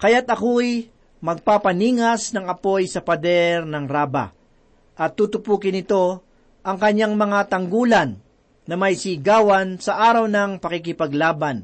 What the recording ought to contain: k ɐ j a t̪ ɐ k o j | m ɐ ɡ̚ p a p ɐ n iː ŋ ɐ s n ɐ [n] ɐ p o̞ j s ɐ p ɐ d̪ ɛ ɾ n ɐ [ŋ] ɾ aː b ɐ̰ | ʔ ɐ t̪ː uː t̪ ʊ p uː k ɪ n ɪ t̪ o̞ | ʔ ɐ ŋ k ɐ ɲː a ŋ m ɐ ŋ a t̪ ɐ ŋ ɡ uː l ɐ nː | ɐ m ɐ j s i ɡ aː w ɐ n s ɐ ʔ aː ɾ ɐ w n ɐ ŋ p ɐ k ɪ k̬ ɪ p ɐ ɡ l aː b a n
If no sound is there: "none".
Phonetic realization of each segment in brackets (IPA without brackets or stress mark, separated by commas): ŋ, ŋ